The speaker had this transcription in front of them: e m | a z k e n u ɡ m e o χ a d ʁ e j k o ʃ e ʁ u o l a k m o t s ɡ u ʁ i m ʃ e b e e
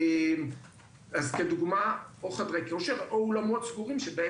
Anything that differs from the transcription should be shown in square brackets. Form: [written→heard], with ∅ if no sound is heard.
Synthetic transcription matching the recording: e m | a z k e [n→d] u ɡ m [e→a] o χ a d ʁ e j k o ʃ e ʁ [u→o] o l a [k→∅] m o t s ɡ u ʁ i m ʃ e b e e